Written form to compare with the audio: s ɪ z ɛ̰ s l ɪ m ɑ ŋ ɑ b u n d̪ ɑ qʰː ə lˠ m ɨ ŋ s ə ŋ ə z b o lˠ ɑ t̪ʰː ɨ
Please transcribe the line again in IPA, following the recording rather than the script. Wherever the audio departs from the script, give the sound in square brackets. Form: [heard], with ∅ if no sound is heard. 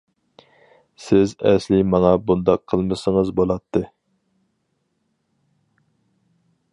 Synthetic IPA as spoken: s ɪ z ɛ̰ s l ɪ m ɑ ŋ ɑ b u n d̪ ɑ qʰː ə lˠ m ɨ [∅] s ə ŋ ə z b o lˠ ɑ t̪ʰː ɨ

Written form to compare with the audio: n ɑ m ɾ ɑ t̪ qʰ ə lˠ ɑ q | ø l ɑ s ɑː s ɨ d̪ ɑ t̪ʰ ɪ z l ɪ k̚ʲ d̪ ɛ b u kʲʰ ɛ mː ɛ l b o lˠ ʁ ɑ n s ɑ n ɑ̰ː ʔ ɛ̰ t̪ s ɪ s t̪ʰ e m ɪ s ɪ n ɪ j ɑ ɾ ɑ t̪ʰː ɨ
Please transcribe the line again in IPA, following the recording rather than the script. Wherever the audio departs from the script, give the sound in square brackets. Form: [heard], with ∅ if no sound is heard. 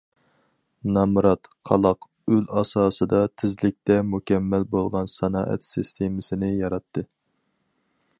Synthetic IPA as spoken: n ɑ m ɾ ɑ t̪ qʰ [ɑ] lˠ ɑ q | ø l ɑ s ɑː s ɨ d̪ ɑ t̪ʰ ɪ z l ɪ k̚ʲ [t̪] ɛ [m] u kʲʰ ɛ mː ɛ l b o lˠ ʁ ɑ n s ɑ n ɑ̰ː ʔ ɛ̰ t̪ s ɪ s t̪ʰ e m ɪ s ɪ n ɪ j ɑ ɾ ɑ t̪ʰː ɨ

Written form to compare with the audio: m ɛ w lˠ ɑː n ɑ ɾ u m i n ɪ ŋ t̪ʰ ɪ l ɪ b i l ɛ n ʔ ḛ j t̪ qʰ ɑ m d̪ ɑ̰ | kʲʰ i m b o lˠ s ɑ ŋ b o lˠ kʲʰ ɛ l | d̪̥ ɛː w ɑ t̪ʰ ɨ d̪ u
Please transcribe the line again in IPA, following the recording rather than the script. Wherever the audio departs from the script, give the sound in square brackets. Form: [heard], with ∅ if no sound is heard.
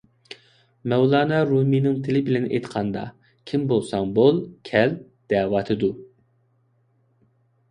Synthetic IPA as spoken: m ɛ w lˠ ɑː n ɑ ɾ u m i n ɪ ŋ t̪ʰ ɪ l ɪ b [ɪ] l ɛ n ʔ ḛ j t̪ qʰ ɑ [n] d̪ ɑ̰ | kʲʰ i m b o lˠ s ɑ ŋ b o lˠ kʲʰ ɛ l | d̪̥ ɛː w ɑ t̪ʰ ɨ d̪ u

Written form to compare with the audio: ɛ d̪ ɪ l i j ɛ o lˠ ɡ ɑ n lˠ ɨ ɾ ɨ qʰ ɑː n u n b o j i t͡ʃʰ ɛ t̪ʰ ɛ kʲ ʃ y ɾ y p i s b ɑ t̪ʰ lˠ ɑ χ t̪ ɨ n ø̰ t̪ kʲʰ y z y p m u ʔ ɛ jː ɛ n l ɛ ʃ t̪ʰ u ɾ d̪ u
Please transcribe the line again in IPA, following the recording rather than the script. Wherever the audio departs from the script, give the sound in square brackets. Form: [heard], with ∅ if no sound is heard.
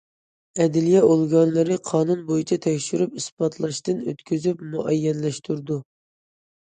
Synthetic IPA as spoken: ɛ d̪ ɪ l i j ɛ o lˠ ɡ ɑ n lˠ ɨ ɾ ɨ qʰ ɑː n u n b o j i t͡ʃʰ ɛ t̪ʰ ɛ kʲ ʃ y ɾ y p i s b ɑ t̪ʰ lˠ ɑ [ʃ] t̪ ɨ n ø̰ t̪ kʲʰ y z y p m u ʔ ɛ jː ɛ n l ɛ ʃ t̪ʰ u ɾ d̪ u

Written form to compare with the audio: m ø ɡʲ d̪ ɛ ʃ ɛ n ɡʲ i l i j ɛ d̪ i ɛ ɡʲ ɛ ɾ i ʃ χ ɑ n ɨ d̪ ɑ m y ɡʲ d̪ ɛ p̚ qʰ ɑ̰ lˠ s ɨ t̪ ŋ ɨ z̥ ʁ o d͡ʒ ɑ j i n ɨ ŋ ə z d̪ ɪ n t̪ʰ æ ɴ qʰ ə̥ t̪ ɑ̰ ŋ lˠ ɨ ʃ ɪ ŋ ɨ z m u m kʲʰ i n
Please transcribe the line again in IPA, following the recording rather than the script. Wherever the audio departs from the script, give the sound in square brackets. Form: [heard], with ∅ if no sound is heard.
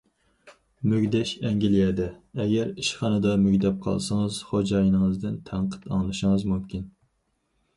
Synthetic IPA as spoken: m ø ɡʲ d̪ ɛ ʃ ɛ [ŋ] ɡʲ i l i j ɛ d̪ [ɛ] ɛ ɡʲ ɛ ɾ i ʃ χ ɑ n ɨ d̪ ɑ m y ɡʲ d̪ ɛ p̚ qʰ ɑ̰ lˠ s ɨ [∅] ŋ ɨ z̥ [χ] o d͡ʒ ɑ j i n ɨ ŋ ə z d̪ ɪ n t̪ʰ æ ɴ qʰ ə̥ t̪ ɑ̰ ŋ lˠ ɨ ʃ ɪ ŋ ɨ z m u m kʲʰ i n

